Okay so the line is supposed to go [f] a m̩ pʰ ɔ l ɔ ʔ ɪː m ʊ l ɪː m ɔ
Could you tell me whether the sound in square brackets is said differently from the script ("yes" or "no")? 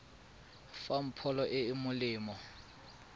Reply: no